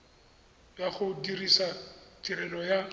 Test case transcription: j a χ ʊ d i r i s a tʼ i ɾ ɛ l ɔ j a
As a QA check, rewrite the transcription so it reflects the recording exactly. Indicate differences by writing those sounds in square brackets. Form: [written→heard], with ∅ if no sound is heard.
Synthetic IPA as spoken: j a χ ʊ d i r i s a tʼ i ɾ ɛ l ɔ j a